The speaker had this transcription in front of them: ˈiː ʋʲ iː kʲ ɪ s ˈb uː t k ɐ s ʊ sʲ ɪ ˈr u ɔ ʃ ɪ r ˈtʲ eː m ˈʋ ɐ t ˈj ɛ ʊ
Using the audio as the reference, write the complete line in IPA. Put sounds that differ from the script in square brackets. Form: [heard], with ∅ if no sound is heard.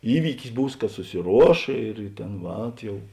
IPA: ˈiː ʋʲ iː kʲ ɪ s ˈb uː [s] k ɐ s ʊ sʲ ɪ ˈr u ɔ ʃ ɪ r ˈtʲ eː [n] ˈʋ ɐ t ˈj ɛ ʊ